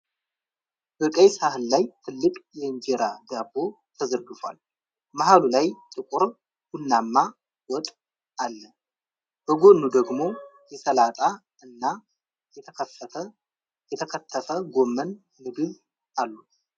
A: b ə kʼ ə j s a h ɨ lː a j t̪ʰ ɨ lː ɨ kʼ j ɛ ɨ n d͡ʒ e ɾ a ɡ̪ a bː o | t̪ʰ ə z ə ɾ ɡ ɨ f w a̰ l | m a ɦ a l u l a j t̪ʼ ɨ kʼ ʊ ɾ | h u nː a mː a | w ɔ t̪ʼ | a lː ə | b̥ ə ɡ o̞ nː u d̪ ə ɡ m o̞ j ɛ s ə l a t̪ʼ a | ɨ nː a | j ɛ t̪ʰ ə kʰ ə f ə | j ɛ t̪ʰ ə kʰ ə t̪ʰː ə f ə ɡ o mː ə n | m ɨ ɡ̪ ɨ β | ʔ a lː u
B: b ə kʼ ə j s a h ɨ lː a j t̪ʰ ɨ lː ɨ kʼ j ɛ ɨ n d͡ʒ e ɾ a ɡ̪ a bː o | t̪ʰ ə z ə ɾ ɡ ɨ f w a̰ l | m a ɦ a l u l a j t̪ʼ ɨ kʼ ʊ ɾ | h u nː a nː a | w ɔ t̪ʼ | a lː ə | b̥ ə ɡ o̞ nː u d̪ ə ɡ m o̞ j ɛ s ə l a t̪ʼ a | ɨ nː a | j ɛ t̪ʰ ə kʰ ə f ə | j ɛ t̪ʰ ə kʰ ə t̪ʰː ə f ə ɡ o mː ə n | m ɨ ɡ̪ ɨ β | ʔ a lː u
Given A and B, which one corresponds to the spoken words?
A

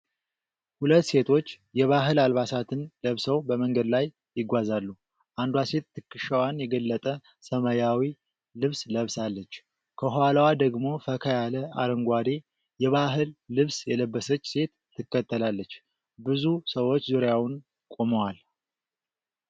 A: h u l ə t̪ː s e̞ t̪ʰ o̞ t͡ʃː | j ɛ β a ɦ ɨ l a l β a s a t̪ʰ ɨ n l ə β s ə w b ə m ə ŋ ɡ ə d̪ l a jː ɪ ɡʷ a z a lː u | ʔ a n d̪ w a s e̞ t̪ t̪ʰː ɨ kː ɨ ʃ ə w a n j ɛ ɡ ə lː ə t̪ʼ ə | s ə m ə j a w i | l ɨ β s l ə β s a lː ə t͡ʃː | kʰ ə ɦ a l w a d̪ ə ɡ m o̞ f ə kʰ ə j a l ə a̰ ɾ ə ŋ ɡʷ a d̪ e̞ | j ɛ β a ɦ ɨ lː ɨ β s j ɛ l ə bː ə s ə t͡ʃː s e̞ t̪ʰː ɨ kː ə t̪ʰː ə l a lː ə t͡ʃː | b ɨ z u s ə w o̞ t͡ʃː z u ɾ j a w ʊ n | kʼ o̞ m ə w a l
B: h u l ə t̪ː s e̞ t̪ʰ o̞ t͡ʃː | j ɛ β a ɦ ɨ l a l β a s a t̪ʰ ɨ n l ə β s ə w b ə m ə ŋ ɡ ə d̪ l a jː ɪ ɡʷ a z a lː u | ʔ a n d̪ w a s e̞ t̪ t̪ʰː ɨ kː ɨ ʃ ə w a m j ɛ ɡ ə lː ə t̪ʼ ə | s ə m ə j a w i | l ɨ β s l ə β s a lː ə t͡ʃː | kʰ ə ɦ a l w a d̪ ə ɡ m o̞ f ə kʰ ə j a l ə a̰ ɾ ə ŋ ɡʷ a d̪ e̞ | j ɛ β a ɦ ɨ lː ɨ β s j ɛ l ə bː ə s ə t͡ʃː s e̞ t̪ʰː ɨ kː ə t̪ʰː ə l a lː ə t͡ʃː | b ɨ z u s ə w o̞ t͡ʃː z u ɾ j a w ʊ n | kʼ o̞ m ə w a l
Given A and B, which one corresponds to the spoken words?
A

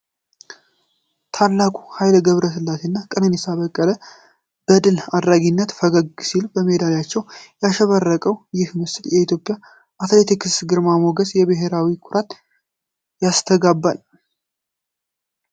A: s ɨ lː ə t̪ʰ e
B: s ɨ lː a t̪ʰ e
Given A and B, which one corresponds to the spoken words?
B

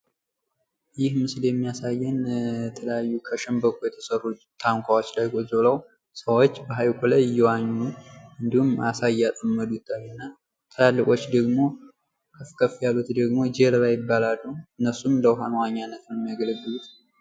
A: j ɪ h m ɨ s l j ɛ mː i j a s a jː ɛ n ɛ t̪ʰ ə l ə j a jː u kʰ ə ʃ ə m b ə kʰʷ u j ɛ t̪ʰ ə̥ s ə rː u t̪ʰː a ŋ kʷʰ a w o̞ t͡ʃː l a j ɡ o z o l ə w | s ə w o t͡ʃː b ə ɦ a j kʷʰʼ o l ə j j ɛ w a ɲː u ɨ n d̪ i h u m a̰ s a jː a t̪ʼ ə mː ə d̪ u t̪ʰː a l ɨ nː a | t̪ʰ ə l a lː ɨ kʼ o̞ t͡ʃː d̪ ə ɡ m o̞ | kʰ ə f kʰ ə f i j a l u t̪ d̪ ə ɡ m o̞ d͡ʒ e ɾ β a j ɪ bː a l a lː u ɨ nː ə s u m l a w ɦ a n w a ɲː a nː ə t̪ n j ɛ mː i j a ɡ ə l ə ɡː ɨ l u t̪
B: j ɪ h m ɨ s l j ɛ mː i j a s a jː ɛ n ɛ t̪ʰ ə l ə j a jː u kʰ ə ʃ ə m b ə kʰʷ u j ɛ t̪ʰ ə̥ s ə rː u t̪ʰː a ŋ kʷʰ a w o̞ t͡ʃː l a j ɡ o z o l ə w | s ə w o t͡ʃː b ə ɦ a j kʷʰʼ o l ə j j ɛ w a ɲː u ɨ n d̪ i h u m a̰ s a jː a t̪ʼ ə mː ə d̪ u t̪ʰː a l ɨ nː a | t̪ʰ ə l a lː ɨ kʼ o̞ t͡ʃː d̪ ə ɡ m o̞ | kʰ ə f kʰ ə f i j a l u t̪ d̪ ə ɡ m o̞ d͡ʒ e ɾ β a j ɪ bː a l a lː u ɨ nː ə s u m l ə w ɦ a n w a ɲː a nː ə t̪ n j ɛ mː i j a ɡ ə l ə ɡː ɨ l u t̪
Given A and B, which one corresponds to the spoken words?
B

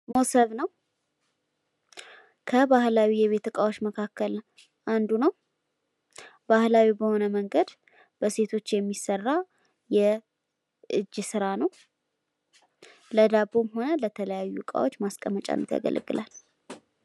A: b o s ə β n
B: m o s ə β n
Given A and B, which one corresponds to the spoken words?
B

